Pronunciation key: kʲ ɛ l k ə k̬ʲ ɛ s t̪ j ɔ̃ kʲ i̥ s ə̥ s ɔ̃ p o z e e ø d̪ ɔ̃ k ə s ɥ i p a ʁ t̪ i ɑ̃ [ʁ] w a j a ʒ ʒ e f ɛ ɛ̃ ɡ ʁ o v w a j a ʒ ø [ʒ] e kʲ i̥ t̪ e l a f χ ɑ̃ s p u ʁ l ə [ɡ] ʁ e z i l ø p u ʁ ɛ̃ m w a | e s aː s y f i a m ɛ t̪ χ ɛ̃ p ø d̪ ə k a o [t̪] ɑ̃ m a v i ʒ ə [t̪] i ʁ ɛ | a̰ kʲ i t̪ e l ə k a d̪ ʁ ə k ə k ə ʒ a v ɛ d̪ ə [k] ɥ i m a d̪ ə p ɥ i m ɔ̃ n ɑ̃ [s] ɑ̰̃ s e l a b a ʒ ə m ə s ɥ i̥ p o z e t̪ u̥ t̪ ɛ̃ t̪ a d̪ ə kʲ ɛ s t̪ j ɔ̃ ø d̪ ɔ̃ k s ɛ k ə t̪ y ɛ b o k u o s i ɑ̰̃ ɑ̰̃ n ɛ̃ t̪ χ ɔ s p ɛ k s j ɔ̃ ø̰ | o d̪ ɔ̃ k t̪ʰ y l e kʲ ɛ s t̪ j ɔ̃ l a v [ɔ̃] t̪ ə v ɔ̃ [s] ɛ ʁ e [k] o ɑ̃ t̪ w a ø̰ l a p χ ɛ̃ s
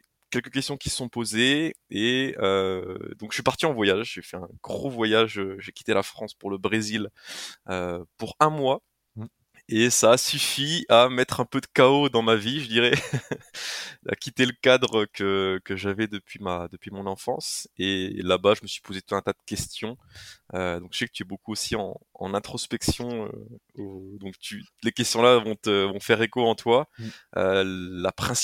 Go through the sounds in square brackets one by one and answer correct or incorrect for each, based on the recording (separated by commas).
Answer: incorrect, correct, incorrect, incorrect, incorrect, incorrect, incorrect, correct, incorrect, correct